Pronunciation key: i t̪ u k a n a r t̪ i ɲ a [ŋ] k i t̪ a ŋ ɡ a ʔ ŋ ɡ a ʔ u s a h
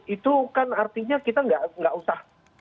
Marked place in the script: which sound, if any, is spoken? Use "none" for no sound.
none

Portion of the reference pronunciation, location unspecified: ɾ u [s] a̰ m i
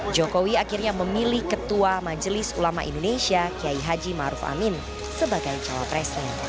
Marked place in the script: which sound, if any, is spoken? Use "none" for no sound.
f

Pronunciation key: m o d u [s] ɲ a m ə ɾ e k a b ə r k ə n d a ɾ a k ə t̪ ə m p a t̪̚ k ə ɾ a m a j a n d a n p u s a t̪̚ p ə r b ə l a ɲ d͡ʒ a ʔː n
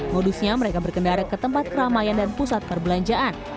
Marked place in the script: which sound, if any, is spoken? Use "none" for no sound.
s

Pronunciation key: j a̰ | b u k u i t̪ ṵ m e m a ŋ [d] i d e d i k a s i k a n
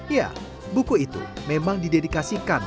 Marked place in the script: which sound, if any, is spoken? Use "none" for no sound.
d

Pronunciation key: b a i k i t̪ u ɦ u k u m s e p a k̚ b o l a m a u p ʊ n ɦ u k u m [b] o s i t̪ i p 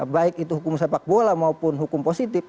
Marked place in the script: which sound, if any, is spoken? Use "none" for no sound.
p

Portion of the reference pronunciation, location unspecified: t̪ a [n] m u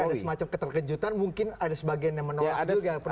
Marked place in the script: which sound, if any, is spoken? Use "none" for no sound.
n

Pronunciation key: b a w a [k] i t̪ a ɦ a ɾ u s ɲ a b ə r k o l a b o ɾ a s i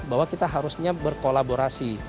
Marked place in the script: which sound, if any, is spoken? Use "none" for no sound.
k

